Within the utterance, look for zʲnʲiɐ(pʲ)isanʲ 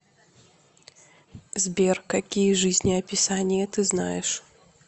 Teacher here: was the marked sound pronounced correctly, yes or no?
yes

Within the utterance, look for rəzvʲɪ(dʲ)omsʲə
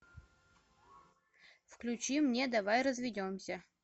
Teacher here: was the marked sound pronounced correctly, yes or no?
yes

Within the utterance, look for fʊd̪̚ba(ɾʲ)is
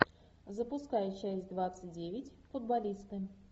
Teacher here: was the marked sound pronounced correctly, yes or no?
no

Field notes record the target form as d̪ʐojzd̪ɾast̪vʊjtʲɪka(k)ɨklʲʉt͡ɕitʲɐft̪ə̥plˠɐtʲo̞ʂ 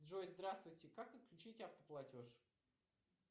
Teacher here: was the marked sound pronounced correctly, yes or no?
yes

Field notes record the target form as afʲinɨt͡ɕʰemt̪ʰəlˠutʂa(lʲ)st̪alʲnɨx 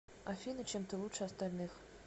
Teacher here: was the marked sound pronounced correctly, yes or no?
no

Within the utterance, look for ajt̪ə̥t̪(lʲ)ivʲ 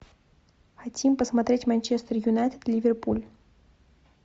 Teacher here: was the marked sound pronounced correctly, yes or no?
yes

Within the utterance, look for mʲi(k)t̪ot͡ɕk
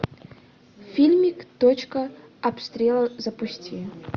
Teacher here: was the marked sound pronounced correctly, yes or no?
yes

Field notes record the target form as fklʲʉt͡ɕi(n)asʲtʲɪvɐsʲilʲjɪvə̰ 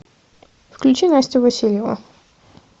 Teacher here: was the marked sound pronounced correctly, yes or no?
yes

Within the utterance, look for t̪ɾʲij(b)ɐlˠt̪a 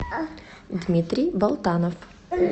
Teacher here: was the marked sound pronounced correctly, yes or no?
yes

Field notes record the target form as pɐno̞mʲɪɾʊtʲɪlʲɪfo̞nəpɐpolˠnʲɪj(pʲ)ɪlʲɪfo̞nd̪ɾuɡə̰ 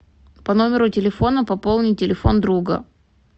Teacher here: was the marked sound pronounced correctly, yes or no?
no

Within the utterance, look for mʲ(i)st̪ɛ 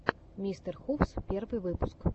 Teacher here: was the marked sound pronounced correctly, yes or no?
yes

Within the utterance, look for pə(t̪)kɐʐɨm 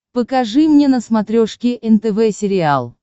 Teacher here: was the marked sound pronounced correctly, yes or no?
no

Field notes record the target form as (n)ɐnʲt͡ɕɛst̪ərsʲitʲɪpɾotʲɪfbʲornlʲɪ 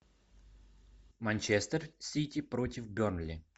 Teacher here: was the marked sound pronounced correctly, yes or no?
no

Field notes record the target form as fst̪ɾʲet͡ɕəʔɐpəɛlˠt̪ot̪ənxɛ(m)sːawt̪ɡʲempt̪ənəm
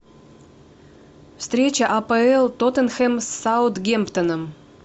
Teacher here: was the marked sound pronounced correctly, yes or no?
yes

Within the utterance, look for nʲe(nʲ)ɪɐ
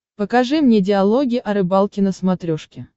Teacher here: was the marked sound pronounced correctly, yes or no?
no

